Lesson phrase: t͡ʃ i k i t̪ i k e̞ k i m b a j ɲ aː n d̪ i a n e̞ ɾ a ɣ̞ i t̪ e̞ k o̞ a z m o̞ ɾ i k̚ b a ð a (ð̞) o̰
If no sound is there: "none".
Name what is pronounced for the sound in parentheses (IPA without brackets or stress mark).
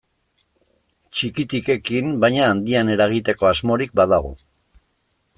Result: ɣ̞